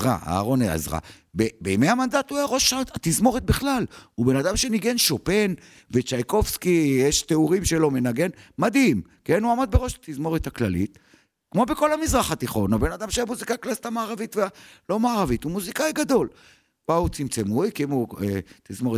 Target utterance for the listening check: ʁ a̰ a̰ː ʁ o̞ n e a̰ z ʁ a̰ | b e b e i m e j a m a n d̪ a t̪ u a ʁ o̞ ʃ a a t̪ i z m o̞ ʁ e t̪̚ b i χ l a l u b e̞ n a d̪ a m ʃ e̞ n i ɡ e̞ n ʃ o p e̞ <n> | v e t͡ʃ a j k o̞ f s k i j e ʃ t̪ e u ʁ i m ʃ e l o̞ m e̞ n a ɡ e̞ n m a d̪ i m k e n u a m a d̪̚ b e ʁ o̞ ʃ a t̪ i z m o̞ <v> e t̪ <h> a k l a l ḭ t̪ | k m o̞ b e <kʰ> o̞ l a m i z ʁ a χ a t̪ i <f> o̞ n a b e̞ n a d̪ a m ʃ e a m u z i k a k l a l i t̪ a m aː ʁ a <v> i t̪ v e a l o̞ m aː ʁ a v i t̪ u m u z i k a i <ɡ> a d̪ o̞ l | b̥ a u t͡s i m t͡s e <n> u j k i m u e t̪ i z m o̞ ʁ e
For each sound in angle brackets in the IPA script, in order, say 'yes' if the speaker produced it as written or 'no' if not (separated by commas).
yes, no, yes, no, no, yes, yes, no